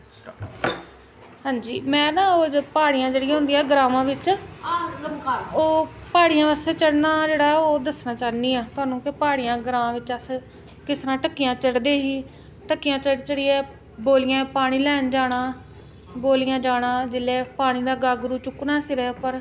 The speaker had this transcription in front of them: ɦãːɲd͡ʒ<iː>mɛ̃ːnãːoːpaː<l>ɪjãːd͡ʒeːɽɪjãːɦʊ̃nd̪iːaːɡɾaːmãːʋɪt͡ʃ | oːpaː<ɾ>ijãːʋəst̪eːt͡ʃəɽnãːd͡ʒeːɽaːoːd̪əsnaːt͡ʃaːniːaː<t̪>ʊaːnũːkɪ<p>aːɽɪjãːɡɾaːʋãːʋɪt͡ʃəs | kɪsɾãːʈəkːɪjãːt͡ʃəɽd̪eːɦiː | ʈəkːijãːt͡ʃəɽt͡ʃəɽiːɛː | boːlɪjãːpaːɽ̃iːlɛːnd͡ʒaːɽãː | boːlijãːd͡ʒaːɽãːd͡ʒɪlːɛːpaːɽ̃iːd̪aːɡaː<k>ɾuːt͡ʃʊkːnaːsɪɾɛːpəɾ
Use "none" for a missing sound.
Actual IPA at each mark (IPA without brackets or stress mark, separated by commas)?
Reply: iː, ɽ, ɽ, t̪, p, ɡ